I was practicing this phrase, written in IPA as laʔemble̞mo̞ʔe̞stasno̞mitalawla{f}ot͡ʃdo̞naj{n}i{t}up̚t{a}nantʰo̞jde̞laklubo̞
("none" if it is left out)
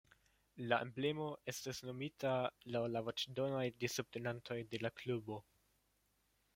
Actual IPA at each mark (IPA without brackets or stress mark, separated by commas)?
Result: v, d, s, e